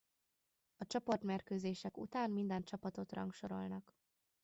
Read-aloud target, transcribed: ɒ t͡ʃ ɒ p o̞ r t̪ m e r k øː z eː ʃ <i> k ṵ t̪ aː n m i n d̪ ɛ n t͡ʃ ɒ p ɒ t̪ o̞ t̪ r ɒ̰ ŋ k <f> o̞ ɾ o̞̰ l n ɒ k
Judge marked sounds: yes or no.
no, no

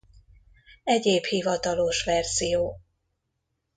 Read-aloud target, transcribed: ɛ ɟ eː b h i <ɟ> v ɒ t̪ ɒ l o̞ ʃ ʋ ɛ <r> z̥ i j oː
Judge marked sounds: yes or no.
no, yes

